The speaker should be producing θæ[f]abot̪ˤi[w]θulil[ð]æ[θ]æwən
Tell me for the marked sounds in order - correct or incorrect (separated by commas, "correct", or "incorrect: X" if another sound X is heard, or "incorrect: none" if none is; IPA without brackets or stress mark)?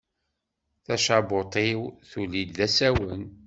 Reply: incorrect: ʃ, correct, correct, incorrect: s